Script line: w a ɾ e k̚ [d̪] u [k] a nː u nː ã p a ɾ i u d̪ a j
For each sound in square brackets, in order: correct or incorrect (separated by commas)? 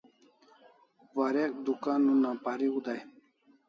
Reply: correct, correct